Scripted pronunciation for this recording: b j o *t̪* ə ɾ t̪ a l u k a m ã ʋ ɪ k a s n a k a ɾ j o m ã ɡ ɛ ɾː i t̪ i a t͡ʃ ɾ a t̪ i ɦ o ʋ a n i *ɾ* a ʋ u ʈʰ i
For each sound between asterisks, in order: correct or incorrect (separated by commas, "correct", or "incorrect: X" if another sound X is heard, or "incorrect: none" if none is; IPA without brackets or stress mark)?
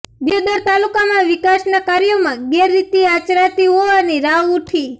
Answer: incorrect: d̪, correct